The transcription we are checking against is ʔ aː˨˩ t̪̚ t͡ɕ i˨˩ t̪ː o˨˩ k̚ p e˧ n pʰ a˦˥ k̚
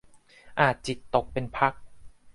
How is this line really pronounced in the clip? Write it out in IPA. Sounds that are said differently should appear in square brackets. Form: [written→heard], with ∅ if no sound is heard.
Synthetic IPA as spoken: ʔ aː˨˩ t̪̚ t͡ɕ i˨˩ t̪ː o˨˩ k̚ p e˧ n pʰ a˦˥ k̚